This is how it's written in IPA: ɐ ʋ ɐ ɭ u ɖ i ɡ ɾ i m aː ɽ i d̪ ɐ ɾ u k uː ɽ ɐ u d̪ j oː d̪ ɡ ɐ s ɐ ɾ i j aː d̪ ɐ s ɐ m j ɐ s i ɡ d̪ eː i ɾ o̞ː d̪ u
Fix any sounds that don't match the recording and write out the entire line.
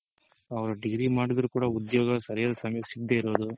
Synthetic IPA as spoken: ɐ ʋ ɐ ɾ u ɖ i ɡ ɾ i m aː ɽ i d̪ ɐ ɾ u k uː ɽ ɐ u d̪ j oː ɡ ɐ s ɐ ɾ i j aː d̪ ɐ s ɐ m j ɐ s i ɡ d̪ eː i ɾ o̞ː d̪ u